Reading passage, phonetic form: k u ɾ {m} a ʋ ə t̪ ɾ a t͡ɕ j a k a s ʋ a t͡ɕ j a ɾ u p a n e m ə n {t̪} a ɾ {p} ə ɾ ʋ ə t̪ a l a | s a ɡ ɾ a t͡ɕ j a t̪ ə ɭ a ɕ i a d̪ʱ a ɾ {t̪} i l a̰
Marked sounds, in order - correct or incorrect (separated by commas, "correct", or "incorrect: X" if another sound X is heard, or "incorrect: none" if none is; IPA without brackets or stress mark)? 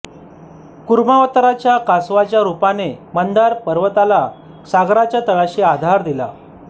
correct, incorrect: d̪, correct, incorrect: d̪